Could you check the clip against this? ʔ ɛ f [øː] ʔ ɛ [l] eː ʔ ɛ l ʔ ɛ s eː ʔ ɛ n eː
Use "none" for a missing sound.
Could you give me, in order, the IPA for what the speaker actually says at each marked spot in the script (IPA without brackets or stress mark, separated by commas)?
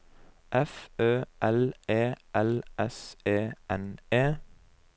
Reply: øː, l